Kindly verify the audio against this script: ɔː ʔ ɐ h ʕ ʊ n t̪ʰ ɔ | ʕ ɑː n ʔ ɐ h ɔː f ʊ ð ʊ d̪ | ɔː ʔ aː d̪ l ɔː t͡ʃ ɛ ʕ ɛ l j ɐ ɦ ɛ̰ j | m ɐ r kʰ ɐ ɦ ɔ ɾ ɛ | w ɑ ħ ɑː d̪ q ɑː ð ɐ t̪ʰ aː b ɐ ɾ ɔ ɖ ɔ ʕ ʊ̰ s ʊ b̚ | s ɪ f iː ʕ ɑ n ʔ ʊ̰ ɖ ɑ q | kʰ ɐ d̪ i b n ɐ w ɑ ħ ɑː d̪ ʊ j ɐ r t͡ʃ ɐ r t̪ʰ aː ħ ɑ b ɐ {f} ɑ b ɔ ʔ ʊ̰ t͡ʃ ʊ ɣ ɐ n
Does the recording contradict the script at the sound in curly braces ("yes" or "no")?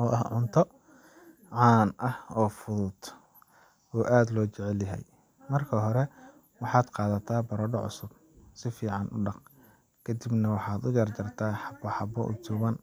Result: yes